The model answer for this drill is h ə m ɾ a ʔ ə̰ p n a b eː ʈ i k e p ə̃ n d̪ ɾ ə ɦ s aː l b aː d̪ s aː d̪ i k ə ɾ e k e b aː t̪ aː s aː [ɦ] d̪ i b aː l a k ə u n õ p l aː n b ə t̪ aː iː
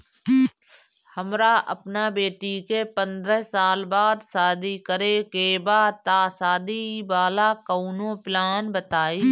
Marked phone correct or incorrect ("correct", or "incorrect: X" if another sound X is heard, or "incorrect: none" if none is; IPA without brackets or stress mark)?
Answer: incorrect: none